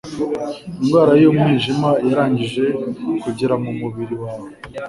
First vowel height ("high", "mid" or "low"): high